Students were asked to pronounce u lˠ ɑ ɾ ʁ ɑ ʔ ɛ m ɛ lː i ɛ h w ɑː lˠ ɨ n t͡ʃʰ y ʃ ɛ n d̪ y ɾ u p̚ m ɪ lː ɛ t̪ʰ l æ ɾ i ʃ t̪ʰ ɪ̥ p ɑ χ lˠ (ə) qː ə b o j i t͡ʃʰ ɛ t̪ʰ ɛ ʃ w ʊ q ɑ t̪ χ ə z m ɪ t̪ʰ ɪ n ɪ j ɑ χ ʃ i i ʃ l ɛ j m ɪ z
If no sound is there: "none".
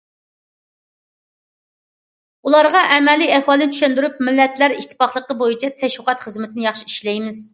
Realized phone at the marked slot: ə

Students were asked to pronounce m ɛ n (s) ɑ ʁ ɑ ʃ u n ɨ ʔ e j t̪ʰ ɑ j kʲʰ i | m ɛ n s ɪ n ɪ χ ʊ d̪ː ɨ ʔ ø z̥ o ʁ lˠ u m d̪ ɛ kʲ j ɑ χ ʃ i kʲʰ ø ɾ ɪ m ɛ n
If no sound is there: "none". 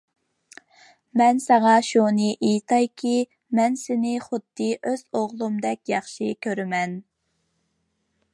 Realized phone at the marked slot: s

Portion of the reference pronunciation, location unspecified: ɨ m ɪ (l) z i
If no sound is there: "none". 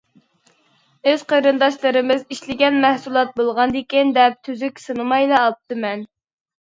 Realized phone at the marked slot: none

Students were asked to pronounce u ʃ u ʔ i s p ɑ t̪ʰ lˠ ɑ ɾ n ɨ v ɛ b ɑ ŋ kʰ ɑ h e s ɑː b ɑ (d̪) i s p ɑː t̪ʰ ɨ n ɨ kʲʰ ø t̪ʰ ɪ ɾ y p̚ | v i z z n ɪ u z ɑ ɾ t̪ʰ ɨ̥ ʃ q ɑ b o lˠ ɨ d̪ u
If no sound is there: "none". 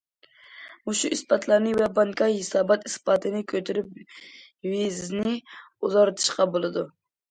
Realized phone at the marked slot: t̪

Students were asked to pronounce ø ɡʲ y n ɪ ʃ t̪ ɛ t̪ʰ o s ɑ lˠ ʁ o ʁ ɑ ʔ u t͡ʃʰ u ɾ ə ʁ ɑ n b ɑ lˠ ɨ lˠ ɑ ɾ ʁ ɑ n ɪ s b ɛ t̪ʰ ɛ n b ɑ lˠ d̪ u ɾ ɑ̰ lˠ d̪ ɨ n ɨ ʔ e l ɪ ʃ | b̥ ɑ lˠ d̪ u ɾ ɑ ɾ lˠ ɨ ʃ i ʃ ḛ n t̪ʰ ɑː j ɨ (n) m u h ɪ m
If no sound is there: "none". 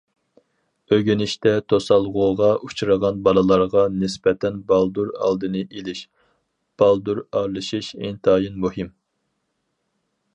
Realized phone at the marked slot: n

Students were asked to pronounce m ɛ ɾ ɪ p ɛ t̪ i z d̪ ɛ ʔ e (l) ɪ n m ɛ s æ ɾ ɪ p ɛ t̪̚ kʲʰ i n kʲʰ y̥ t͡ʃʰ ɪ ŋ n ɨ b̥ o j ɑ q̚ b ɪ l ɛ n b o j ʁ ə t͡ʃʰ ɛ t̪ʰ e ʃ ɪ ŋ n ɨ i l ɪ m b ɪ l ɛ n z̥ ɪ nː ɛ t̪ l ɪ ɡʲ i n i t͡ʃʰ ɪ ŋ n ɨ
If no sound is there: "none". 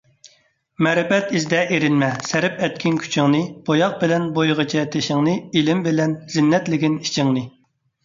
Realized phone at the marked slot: ɾ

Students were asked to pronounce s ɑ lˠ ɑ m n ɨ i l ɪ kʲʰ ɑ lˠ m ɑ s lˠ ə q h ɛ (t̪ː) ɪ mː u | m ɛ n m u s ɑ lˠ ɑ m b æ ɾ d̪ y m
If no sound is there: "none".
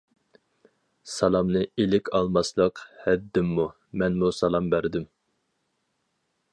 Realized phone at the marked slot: d̪ː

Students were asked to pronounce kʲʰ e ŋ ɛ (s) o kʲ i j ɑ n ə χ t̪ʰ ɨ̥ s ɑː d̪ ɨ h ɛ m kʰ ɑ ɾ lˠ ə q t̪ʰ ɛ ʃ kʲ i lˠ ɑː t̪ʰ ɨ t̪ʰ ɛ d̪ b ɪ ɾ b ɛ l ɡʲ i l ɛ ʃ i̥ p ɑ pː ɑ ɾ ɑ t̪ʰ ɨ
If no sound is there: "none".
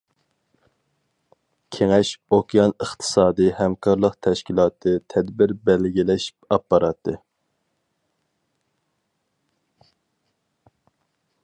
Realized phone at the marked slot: ʃ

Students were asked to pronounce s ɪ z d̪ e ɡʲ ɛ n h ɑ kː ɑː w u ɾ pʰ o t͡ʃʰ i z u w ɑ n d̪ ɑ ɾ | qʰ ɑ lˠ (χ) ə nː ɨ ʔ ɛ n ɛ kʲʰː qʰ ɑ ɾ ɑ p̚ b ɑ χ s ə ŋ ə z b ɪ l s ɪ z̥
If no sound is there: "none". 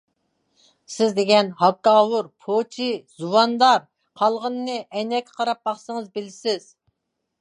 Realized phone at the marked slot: ʁ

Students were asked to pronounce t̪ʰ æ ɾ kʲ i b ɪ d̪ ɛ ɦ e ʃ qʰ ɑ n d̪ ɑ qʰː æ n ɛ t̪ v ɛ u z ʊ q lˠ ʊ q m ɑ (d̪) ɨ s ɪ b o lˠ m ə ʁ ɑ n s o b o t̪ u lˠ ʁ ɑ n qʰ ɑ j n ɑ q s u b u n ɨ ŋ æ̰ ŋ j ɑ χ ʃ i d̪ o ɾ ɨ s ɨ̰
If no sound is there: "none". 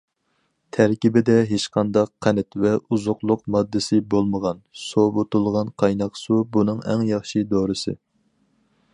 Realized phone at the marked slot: d̪ː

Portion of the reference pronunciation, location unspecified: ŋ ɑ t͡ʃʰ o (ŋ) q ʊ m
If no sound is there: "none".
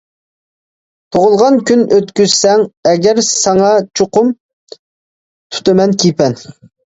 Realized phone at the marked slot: none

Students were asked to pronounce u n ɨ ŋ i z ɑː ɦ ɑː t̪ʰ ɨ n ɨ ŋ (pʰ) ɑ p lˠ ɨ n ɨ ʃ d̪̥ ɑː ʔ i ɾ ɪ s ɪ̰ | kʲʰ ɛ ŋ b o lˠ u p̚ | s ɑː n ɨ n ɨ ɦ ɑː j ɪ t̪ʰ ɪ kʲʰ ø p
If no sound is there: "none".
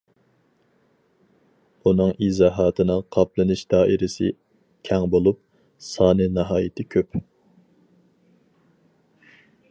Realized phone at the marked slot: qʰ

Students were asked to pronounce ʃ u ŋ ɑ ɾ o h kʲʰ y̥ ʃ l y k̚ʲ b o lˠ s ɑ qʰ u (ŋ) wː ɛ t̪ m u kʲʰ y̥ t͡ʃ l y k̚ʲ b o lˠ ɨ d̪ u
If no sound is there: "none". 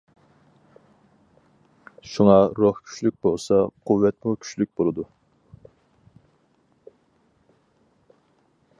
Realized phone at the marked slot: none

